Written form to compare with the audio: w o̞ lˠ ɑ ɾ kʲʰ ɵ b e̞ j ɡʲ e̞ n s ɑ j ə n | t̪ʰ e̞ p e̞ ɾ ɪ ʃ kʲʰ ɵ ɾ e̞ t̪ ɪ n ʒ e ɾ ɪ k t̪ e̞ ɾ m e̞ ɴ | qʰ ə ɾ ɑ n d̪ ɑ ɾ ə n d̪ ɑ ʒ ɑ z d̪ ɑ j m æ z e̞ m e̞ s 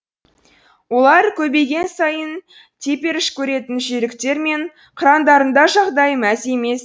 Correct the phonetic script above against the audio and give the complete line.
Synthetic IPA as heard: w o̞ lˠ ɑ ɾ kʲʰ ɵ b e̞ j ɡʲ e̞ n s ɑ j ə n | t̪ʰ e̞ p e̞ ɾ ɪ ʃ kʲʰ ɵ ɾ e̞ t̪ ɪ n ʒ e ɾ ɪ k t̪ e̞ ɾ m e̞ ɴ | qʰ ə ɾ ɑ n d̪ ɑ ɾ ə n d̪ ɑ ʒ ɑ ʁ d̪ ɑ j m æ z e̞ m e̞ s

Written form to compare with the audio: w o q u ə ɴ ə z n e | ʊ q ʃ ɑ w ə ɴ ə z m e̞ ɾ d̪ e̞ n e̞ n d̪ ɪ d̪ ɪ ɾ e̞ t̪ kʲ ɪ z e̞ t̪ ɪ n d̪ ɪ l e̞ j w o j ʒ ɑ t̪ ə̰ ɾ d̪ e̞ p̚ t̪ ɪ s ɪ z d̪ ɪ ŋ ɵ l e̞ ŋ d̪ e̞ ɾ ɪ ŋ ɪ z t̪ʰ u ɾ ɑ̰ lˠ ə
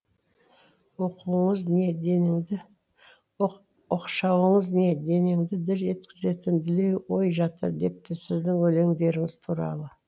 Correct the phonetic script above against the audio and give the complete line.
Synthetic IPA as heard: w o q u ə ɴ ə z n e | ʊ q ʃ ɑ w ə ɴ ə z n e̞ d̪ e̞ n e̞ ŋ d̪ ɪ d̪ ɪ ɾ e̞ t̪ kʲ ɪ z e̞ t̪ ɪ n d̪ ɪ l e̞ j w o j ʒ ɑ t̪ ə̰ ɾ d̪ e̞ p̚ t̪ ɪ s ɪ z d̪ ɪ ŋ ɵ l e̞ ŋ d̪ e̞ ɾ ɪ ŋ ɪ z t̪ʰ u ɾ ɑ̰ lˠ ə

